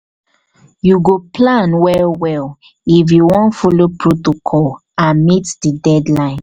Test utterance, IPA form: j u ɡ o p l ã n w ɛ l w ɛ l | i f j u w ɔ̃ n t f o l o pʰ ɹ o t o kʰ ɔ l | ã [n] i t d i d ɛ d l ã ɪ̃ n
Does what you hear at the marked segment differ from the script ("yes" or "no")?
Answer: yes